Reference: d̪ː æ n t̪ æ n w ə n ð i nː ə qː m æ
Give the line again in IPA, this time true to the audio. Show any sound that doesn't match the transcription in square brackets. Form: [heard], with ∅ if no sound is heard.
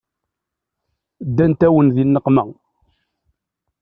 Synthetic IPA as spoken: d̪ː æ n t̪ æ [∅] w ə n ð i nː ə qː m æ